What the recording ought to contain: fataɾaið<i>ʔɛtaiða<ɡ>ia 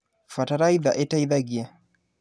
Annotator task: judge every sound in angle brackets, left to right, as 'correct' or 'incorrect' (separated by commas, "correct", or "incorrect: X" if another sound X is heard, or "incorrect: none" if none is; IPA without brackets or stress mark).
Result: incorrect: a, correct